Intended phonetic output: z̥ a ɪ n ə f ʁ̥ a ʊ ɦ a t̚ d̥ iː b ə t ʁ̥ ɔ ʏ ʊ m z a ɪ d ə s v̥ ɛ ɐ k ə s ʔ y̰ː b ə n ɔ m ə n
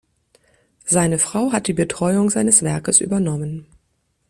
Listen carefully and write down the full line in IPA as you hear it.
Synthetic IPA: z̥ a ɪ n ə f ʁ̥ a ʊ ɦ a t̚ d̥ iː b ə t ʁ̥ ɔ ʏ ʊ ŋ z a ɪ n ə s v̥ ɛ ɐ k ə s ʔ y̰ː b ɐ n ɔ m ə n